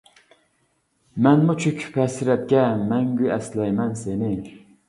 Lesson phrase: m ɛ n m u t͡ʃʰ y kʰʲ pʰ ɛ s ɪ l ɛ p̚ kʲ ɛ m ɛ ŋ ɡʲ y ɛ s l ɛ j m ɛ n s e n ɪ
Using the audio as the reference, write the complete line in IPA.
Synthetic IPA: m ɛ n m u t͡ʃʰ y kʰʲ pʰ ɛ s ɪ ɾ ɛ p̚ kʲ ɛ m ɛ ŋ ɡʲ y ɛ s l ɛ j m ɛ n s e n ɪ